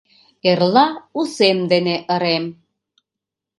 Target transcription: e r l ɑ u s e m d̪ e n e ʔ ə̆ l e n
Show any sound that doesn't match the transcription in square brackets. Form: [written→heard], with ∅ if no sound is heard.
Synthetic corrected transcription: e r l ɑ u s e m d̪ e n e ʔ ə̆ [l→ɾ] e [n→m]

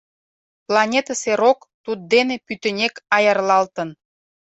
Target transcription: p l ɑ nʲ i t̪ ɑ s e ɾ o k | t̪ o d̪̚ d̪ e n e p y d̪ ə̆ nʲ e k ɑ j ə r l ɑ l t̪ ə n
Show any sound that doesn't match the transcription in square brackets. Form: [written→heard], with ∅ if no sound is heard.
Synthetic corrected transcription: p l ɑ nʲ [i→e] t̪ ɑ s e ɾ o k | t̪ [o→u] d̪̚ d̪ e n e p y [d̪→t̪] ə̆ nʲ e k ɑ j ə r l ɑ l t̪ ə n

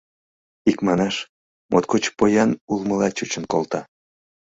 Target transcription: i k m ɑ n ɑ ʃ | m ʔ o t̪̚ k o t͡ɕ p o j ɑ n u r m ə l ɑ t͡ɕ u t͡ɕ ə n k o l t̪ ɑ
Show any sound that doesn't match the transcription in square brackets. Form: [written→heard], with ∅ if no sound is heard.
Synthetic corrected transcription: i k m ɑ n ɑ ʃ | m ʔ o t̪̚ k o t͡ɕ p o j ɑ n u [r→l] m ə l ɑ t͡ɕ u t͡ɕ ə n k o l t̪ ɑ

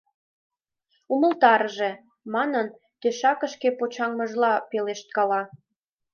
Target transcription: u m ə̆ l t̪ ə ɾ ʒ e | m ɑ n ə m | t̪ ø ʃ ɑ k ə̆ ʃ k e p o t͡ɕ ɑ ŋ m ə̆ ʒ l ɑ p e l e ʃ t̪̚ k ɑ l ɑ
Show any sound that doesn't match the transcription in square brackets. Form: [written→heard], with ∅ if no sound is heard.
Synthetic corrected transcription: u m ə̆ l t̪ [ə→ɑ] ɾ ʒ e | m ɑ n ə [m→n] | t̪ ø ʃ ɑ k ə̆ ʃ k e p o t͡ɕ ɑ ŋ m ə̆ ʒ l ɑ p e l e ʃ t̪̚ k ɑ l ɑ

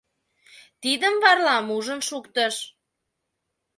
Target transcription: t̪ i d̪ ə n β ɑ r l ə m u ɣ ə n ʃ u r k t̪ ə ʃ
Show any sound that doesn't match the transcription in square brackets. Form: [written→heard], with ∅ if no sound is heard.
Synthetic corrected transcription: t̪ i d̪ ə [n→m] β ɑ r l [ə→ɑ] m u [ɣ→ʒ] ə n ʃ u [r→∅] k t̪ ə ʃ

